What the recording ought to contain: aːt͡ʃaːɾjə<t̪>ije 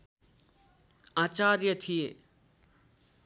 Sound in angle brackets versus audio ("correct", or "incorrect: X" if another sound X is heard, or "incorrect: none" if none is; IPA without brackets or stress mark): incorrect: t̪ʰ